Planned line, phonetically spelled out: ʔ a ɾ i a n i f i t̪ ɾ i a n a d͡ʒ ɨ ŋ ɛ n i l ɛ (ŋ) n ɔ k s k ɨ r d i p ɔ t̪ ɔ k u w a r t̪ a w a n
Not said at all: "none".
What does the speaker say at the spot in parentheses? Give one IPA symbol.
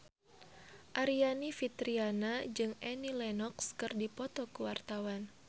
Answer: none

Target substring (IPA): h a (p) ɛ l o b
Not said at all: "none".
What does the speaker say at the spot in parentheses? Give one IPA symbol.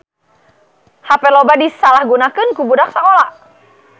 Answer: p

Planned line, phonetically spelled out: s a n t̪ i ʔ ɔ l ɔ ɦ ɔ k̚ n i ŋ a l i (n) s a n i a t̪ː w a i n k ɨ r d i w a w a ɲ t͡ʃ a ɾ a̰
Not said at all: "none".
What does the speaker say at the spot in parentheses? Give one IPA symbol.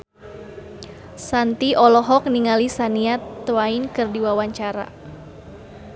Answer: none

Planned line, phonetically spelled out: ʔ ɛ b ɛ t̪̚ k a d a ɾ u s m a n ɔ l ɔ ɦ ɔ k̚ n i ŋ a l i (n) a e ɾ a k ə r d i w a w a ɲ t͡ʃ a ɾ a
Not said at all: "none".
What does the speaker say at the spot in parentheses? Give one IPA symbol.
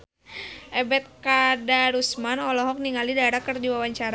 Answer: d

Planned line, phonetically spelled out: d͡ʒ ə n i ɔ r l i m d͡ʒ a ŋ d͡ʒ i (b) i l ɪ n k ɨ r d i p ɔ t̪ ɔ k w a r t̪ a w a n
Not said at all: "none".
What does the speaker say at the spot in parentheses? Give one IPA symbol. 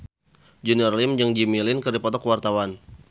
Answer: m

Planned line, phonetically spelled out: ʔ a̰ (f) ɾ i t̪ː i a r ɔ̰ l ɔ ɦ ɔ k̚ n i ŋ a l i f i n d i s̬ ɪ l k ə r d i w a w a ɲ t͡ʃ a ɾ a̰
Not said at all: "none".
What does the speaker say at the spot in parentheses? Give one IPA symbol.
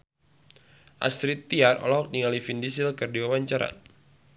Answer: s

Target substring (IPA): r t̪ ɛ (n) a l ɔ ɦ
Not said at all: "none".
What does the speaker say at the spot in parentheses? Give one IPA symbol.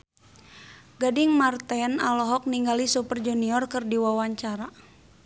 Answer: n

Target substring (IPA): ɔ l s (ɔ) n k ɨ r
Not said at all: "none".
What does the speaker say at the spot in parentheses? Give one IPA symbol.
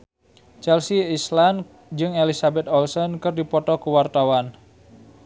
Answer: ɔ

